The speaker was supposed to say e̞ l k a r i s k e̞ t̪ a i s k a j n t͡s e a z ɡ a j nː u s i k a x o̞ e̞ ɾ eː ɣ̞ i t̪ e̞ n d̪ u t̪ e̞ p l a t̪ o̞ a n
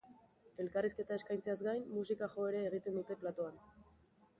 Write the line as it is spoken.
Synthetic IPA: e̞ l k a r i s k e̞ t̪ a e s k a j n t͡s e a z ɡ a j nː u s i k a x o̞ e̞ ɾ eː ɣ̞ i t̪ e̞ n d̪ u t̪ e̞ p l a t̪ o̞ a n